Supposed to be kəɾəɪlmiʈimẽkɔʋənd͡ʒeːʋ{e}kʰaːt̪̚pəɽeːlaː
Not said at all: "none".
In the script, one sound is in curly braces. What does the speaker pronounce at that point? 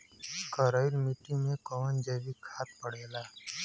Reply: i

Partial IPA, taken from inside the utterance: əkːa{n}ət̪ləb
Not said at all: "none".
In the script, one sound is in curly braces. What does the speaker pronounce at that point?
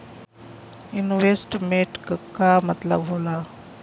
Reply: m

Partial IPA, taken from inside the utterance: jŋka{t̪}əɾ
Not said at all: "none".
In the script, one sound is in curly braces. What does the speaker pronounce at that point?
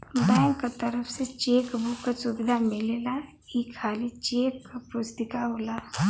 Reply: t̪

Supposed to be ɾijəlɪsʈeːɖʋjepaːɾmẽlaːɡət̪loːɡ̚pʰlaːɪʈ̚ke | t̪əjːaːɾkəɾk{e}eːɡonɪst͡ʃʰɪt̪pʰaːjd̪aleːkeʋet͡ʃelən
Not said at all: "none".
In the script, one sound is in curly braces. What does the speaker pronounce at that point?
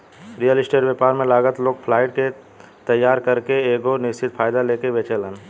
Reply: e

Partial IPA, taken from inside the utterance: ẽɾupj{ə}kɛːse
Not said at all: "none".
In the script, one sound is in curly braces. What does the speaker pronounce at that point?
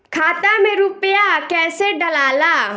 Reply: a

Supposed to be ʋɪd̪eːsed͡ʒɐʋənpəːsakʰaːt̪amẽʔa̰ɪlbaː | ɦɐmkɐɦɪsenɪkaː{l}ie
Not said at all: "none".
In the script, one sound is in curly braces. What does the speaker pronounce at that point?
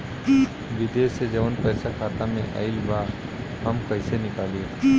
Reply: l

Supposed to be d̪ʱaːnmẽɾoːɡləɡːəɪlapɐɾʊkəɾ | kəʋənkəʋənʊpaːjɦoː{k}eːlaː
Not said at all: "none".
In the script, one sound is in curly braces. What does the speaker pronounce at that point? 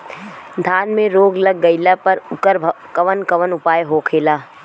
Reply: kʰ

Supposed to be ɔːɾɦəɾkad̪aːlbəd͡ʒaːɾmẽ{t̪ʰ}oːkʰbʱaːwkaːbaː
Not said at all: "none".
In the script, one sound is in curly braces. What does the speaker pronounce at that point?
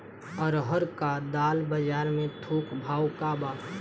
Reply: t̪ʰ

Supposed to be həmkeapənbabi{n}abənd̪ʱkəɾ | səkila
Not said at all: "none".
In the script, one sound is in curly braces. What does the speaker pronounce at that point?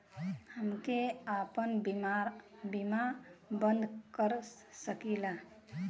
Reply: m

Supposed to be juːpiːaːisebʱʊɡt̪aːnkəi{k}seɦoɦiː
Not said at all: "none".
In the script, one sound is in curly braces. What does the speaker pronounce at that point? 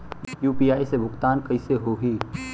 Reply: none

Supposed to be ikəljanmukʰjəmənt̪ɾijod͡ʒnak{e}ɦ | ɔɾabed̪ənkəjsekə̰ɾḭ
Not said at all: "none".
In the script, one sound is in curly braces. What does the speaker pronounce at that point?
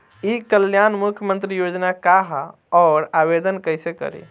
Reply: a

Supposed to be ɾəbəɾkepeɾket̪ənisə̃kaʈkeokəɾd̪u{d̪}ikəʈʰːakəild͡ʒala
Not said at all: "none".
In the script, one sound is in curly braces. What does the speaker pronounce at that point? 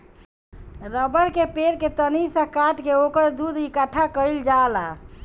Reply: d̪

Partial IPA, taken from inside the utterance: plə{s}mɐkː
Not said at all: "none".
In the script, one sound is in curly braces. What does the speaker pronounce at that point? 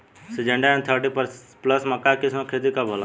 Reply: s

